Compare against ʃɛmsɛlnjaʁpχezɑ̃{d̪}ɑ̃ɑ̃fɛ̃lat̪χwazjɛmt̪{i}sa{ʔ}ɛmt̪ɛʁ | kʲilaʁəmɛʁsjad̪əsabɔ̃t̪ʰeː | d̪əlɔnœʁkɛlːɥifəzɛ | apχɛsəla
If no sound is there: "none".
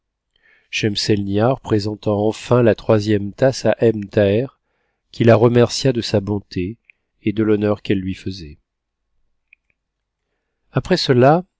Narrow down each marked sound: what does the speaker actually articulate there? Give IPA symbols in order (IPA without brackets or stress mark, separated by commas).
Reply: t̪, a, ʔ